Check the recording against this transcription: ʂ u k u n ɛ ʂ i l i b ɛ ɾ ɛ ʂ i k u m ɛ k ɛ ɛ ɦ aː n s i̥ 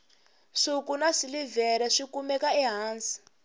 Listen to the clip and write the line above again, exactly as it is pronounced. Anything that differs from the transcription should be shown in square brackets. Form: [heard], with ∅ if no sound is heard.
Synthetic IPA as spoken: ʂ u k u n [a] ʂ i l i [v] ɛ ɾ ɛ ʂ i k u m ɛ k [a] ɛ ɦ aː n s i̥